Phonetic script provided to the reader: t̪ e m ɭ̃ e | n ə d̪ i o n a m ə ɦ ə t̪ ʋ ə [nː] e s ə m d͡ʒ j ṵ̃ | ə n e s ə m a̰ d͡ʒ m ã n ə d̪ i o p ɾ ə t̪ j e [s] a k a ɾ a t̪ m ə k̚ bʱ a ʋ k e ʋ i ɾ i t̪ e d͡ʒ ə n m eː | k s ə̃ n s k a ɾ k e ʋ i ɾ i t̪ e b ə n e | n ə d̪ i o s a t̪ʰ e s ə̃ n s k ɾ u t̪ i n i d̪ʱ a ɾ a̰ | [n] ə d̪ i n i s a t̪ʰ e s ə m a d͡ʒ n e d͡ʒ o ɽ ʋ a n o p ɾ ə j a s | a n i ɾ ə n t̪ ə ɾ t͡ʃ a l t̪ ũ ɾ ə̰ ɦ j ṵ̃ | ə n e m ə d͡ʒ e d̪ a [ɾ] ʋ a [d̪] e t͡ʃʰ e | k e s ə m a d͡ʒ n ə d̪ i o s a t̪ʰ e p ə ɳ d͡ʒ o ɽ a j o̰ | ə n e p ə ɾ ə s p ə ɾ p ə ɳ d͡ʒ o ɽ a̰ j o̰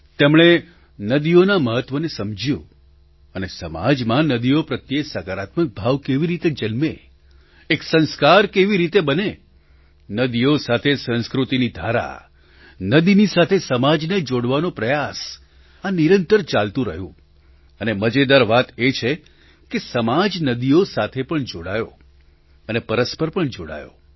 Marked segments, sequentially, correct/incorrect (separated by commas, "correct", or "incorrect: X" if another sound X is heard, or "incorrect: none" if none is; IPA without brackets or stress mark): incorrect: n, correct, correct, correct, incorrect: t̪